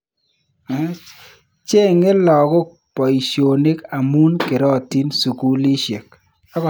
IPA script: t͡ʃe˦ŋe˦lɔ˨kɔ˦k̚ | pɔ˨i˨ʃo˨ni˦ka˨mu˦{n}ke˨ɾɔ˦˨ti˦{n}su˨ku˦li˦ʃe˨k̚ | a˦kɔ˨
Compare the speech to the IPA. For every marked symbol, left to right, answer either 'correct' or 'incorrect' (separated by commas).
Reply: correct, correct